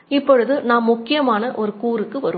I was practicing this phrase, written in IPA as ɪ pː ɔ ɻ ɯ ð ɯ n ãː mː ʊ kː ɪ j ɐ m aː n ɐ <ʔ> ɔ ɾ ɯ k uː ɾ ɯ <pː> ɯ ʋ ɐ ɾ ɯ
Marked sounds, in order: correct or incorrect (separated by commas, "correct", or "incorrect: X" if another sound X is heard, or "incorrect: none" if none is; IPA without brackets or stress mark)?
correct, incorrect: kː